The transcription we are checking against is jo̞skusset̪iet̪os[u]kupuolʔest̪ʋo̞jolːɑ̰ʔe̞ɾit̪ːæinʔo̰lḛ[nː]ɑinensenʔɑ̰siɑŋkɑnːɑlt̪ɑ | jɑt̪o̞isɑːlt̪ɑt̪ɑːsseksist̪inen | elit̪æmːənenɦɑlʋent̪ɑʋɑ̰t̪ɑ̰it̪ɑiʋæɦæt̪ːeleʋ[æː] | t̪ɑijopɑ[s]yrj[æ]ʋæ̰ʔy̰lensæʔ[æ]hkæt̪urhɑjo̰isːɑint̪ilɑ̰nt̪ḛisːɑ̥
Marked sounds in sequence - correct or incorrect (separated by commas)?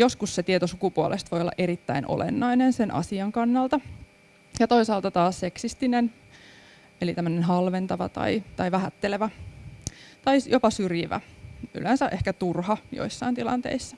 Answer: correct, correct, incorrect, correct, incorrect, incorrect